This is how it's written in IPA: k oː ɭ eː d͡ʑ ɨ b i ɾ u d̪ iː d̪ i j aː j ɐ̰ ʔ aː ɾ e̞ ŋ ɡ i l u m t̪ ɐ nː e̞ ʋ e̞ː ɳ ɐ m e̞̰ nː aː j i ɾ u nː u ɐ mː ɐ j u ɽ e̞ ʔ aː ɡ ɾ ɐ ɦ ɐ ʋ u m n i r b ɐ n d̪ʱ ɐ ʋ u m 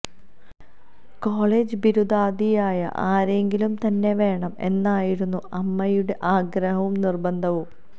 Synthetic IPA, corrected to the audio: k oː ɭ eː d͡ʑ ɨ b i ɾ u d̪ aː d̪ i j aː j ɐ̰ ʔ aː ɾ e̞ ŋ ɡ i l u m t̪ ɐ nː e̞ ʋ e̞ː ɳ ɐ m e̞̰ nː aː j i ɾ u nː u ɐ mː ɐ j u ɽ e̞ ʔ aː ɡ ɾ ɐ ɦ ɐ ʋ u m n i r b ɐ n d̪ʱ ɐ ʋ u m

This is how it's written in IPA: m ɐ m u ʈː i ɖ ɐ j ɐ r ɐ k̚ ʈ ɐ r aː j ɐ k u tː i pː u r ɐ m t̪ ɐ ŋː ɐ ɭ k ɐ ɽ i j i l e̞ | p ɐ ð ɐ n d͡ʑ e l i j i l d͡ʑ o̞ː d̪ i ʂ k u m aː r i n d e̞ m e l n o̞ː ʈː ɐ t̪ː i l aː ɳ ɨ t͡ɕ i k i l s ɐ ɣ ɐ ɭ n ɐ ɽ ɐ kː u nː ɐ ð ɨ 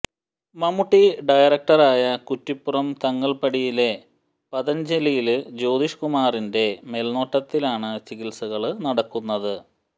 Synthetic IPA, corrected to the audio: m ɐ m u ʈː i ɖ ɐ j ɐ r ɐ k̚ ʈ ɐ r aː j ɐ k u tː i pː u r ɐ m t̪ ɐ ŋː ɐ ɭ p ɐ ɽ i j i l e̞ | p ɐ ð ɐ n d͡ʑ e l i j i l d͡ʑ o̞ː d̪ i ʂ k u m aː r i n d e̞ m e l n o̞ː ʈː ɐ t̪ː i l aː ɳ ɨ t͡ɕ i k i l s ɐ ɣ ɐ ɭ n ɐ ɽ ɐ kː u nː ɐ ð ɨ

